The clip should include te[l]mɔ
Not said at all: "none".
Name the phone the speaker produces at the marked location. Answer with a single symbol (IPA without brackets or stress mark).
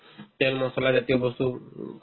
l